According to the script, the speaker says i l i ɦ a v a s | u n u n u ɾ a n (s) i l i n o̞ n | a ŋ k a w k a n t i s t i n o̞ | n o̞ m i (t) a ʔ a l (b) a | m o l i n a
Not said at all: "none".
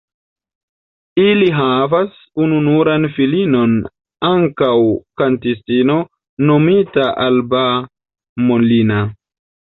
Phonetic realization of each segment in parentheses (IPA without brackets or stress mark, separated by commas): f, t, b